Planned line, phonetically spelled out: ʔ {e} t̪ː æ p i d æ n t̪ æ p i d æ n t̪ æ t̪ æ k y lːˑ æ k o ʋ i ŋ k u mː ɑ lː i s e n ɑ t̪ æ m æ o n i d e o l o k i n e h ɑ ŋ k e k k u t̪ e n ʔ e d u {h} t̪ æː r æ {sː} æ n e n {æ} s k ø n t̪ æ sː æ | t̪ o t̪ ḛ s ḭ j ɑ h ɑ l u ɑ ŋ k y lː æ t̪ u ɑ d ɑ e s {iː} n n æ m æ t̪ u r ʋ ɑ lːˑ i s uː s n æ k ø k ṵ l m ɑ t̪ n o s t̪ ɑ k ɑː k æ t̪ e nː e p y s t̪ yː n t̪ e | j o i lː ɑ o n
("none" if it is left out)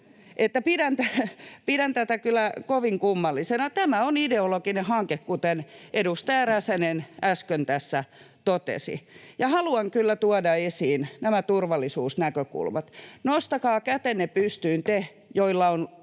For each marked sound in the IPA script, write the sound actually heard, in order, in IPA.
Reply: e, s, s, æ, iː

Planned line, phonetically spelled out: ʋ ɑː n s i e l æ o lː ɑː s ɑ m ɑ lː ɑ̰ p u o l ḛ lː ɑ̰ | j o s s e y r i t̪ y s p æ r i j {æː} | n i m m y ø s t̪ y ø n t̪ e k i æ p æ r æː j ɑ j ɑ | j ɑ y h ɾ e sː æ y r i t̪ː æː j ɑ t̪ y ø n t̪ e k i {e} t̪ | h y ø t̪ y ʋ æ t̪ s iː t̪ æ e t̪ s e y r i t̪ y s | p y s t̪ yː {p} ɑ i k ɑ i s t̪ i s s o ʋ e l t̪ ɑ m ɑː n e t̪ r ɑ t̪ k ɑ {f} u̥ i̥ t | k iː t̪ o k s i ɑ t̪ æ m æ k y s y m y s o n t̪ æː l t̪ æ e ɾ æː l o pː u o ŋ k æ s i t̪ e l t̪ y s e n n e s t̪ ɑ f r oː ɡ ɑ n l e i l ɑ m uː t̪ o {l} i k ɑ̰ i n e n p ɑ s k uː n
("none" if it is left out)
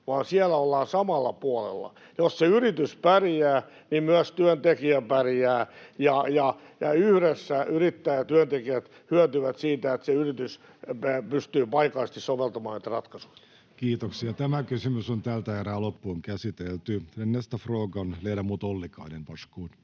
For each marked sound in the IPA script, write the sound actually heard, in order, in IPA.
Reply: æː, æ, p, s, lː

